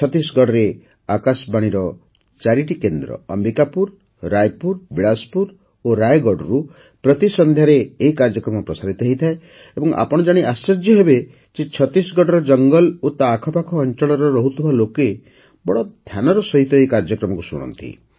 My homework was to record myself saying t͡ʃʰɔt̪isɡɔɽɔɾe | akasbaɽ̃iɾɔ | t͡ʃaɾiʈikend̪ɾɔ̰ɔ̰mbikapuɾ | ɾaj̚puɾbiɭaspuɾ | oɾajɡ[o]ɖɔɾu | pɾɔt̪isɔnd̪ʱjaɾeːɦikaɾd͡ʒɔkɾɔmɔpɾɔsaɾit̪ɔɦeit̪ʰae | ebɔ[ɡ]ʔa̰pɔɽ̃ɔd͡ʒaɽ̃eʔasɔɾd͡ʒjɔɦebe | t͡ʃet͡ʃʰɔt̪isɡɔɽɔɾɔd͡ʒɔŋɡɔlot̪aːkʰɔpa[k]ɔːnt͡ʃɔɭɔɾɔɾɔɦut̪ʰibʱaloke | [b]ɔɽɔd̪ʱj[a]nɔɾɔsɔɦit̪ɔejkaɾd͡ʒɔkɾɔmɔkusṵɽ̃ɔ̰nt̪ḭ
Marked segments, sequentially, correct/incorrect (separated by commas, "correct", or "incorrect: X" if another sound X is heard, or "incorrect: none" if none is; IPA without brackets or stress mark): incorrect: ɔ, incorrect: ŋ, incorrect: kʰ, correct, correct